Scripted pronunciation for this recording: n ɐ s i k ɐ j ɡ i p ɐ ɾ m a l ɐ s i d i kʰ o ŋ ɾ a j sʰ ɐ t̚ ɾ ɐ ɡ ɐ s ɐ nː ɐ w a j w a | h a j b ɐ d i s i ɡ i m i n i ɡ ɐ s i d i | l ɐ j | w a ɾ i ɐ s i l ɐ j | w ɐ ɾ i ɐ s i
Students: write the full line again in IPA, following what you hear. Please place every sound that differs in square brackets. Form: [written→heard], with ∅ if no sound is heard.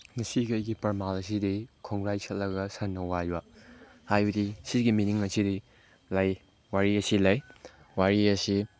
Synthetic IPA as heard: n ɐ s i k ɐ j ɡ i p ɐ ɾ m a l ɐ s i d i kʰ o ŋ ɾ a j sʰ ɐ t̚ [ɾ→l] ɐ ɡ ɐ s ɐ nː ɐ w a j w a | h a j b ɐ d i s i ɡ i m i n i [ɡ→ŋ] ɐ s i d i | l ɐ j | w a ɾ i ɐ s i l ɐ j | w [ɐ→a] ɾ i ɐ s i